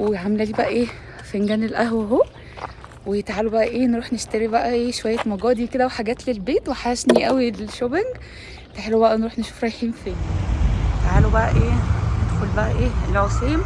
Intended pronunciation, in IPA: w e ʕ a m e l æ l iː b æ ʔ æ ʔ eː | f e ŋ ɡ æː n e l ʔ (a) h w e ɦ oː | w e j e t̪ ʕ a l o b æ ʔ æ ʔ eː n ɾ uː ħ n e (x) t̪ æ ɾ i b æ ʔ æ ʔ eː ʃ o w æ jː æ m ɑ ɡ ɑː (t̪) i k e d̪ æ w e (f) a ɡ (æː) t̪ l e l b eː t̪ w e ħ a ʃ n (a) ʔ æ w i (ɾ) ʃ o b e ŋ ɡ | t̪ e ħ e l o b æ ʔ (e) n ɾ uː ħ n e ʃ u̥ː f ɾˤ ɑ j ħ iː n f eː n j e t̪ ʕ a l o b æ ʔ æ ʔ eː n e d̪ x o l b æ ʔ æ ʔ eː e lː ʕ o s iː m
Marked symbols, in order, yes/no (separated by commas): no, no, no, no, yes, no, no, no